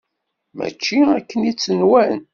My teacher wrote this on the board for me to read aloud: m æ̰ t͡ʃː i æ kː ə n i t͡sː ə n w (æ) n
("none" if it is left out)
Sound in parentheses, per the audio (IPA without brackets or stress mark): æ